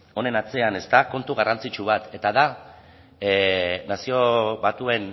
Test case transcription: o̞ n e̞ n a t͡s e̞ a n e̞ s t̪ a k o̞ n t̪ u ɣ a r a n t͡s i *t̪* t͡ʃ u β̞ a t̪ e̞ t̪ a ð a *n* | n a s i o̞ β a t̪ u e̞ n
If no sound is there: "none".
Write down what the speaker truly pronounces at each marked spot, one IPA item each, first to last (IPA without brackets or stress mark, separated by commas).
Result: none, none